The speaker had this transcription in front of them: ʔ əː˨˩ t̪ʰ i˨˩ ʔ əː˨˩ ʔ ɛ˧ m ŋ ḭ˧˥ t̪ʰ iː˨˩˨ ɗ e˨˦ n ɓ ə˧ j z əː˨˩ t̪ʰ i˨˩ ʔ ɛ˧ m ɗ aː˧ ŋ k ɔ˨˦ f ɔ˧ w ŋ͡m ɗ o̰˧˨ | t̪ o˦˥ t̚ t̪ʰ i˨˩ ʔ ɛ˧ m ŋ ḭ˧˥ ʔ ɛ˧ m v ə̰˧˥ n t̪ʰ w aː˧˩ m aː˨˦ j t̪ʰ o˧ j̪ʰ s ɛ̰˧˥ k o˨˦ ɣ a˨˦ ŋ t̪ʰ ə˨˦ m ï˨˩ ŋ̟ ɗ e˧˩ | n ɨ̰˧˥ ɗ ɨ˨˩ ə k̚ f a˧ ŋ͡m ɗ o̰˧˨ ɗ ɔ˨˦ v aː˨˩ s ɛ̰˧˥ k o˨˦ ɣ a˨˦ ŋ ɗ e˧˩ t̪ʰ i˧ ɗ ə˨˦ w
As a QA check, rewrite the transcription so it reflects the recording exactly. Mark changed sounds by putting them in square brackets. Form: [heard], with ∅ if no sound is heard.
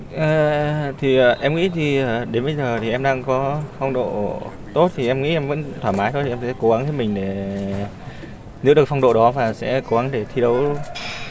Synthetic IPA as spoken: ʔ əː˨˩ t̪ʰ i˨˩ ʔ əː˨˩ ʔ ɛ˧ m ŋ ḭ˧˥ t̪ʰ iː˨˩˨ ɗ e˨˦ n ɓ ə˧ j z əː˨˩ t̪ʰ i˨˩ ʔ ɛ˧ m ɗ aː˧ ŋ k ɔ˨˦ f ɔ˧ w ŋ͡m ɗ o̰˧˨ | t̪ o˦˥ t̚ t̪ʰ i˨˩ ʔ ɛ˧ m ŋ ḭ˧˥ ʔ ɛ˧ m v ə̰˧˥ n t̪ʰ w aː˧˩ m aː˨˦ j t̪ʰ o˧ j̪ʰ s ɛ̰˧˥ k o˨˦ ɣ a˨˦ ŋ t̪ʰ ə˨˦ m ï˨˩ ŋ̟ ɗ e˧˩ | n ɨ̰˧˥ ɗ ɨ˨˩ ə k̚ f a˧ ŋ͡m ɗ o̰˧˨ ɗ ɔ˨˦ v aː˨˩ s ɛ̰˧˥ k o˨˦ ɣ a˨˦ ŋ ɗ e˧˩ t̪ʰ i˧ ɗ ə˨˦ w

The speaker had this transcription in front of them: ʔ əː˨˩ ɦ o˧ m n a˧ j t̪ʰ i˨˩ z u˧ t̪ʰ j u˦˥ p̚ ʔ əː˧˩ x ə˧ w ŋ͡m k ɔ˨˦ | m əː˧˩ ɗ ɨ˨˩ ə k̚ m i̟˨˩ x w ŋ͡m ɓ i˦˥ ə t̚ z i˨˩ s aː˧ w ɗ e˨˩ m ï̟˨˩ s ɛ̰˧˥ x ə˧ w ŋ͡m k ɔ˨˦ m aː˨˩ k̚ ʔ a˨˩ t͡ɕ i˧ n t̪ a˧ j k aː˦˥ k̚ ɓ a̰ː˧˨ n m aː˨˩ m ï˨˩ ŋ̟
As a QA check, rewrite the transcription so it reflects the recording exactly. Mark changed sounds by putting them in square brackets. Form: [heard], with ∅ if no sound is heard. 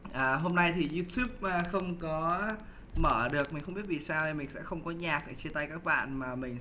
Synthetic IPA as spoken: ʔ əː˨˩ ɦ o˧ m n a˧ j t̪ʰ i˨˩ z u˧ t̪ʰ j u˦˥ p̚ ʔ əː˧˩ x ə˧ w ŋ͡m k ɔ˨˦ | m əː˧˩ ɗ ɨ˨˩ ə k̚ m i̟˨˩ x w ŋ͡m ɓ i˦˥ ə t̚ [v] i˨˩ s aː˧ w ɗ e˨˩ m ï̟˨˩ s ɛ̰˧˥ x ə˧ w ŋ͡m k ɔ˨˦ [ɲ] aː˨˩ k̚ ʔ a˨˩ t͡ɕ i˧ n t̪ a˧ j k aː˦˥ k̚ ɓ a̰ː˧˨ n m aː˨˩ m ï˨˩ ŋ̟

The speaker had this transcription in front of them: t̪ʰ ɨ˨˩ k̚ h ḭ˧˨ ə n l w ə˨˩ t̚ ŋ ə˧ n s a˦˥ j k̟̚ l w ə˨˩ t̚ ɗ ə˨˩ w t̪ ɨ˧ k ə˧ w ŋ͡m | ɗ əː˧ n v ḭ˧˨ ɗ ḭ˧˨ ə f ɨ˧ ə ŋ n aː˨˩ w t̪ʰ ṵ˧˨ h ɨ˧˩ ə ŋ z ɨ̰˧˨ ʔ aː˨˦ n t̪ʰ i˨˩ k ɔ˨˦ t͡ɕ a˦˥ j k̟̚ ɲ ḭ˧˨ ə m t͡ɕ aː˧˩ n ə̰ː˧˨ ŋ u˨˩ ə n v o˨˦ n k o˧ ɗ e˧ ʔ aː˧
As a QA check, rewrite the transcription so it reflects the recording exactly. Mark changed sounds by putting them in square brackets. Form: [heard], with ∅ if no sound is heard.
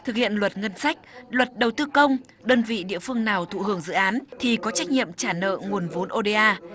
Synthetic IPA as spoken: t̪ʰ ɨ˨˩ k̚ h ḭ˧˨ ə n l w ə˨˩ t̚ ŋ ə˧ n s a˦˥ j k̟̚ l w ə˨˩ t̚ ɗ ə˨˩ w t̪ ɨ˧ k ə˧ w ŋ͡m | ɗ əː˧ n v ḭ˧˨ ɗ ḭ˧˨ ə f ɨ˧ ə ŋ n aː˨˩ w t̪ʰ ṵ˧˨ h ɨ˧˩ ə ŋ z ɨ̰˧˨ ʔ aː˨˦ n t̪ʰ i˨˩ k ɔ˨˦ t͡ɕ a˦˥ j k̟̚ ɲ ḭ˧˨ ə m t͡ɕ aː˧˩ n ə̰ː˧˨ ŋ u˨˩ ə n v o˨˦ n [ʔ] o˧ ɗ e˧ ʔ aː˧

